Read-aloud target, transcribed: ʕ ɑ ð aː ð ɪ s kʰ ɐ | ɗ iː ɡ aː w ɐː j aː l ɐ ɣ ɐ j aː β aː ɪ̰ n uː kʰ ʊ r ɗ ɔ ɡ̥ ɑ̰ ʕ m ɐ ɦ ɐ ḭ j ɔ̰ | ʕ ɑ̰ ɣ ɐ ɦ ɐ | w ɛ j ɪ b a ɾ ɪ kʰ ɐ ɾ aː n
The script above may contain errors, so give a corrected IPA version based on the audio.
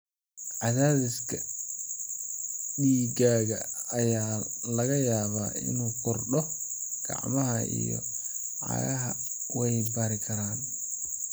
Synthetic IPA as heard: ʕ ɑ ð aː ð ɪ s kʰ ɐ | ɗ iː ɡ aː ɣ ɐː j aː l ɐ ɣ ɐ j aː β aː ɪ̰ n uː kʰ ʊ r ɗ ɔ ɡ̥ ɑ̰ ʕ m ɐ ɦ ɐ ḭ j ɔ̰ | ʕ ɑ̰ ɣ ɐ ɦ ɐ | w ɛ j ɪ b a ɾ ɪ kʰ ɐ ɾ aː n